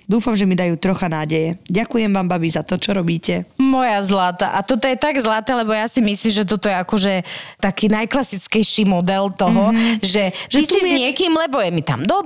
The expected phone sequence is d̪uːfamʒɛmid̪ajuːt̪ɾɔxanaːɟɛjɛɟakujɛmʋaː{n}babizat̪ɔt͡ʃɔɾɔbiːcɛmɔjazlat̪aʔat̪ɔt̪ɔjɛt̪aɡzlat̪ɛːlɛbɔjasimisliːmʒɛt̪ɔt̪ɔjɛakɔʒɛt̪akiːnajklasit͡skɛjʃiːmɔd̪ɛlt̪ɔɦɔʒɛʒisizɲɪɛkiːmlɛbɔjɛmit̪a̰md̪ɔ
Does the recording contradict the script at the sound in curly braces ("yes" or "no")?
yes